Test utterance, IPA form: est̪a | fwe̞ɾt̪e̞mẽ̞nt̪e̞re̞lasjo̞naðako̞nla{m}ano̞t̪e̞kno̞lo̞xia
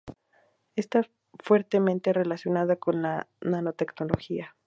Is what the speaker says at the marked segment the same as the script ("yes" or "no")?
no